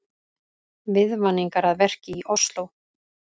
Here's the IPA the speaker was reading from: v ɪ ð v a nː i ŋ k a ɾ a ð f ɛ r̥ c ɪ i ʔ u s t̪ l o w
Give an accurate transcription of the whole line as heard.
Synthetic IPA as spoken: v ɪ ð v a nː i ŋ k a ɾ a ð v ɛ r̥ c ɪ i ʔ ɔ s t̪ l o w

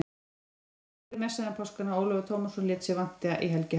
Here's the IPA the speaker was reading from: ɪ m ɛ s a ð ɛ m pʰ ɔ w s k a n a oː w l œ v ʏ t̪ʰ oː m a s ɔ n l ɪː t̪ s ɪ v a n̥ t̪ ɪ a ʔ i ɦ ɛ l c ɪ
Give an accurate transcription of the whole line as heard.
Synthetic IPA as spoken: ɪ m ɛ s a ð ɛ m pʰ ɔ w s k a n a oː w l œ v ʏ t̪ʰ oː m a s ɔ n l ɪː t̪ s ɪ v a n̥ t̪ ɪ a ʔ i ɦ ɛ l c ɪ

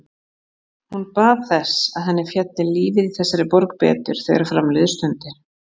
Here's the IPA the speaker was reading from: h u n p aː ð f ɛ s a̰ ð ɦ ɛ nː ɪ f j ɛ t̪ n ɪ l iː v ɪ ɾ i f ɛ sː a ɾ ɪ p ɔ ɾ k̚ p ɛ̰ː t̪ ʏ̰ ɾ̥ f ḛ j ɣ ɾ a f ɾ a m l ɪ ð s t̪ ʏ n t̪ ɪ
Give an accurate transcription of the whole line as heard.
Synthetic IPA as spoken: h u n p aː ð θ ɛ s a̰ ð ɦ ɛ nː ɪ f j ɛ t̪ n ɪ l iː v ɪ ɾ i θ ɛ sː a ɾ ɪ p ɔ ɾ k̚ p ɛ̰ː t̪ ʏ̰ ɾ̥ θ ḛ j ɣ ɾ a f ɾ a m l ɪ ð s t̪ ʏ n t̪ ɪ

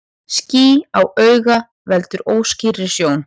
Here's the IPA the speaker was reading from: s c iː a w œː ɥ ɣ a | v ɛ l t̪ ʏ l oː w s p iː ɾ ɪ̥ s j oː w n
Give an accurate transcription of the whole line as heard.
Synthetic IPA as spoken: s c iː a w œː ɥ ɣ a | v ɛ l t̪ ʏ ɾ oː w s c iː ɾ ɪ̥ s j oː w n

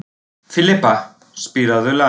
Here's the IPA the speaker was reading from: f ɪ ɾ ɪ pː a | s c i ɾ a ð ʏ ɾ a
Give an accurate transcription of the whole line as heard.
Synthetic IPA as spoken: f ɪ l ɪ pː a | s p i ɾ a ð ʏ l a

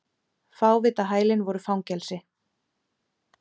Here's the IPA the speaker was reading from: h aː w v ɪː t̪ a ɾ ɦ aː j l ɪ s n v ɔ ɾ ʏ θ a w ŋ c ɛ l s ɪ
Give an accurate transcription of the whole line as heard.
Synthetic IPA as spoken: f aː w v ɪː t̪ a ɦ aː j l ɪ n v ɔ ɾ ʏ f a w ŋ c ɛ l s ɪ

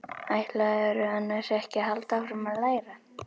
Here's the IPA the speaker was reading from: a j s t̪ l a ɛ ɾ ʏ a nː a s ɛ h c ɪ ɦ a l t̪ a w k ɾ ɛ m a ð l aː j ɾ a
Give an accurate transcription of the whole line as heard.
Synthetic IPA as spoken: a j h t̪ l a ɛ ɾ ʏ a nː a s ɛ h c ɪ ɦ a l t̪ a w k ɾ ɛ m a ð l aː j ɾ a

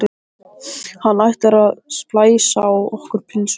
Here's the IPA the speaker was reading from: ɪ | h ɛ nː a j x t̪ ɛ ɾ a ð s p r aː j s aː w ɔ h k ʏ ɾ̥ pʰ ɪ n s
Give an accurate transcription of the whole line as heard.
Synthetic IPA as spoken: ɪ | h a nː a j h t̪ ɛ ɾ a ð s p l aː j s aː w ɔ h k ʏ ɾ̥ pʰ ɪ n s

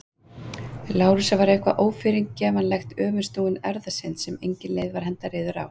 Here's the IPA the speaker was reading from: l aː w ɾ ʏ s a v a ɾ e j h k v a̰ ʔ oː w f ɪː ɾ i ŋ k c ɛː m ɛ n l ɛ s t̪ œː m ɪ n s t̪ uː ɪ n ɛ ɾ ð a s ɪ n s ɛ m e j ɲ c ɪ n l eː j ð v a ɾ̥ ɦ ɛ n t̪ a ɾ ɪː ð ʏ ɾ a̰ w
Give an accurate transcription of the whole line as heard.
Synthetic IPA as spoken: l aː w ɾ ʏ s a v a ɾ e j h k v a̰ ʔ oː w f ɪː ɾ i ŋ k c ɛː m a n l ɛ x t̪ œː m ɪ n s t̪ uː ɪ n ɛ ɾ ð a s ɪ n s ɛ m e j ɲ c ɪ n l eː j ð v a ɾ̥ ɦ ɛ n t̪ a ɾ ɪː ð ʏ ɾ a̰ w

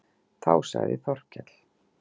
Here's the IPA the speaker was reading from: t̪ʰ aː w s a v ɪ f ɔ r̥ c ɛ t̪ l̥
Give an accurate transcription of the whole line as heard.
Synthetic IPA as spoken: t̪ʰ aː w s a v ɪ θ ɔ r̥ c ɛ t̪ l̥

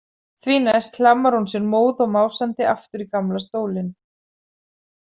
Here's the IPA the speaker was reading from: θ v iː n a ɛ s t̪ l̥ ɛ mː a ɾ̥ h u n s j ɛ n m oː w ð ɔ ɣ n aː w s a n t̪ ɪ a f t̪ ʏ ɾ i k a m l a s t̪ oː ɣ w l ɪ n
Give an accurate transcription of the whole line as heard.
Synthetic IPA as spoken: θ v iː n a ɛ s t̪ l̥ a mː a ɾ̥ h u n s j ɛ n m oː w ð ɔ ɣ m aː w s a n t̪ ɪ a f t̪ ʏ ɾ i k a m l a s t̪ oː w l ɪ n

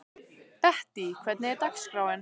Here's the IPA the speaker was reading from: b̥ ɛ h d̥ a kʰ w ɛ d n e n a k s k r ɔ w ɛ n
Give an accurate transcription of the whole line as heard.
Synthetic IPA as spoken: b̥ ɛ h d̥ i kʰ w ɛ d n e d a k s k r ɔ w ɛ n

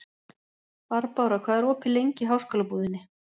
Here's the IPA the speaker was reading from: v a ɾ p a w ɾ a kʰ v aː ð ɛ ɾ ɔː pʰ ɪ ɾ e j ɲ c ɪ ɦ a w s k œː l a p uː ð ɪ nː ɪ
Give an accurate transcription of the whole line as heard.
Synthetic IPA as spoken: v a ɾ p a w ɾ a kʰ v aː ð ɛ ɾ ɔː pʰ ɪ l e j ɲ c ɪ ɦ a w s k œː l a p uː ð ɪ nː ɪ

